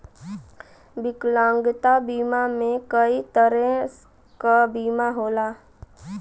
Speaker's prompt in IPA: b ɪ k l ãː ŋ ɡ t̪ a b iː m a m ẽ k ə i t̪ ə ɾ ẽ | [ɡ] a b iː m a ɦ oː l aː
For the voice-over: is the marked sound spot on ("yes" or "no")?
no